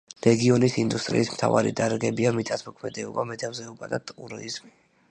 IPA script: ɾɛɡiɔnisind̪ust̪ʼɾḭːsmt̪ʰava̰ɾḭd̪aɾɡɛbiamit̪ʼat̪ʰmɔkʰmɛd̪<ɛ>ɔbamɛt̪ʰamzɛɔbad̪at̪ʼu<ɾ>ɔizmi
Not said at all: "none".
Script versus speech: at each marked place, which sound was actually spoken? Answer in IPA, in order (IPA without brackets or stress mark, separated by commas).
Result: ɛ, ɾ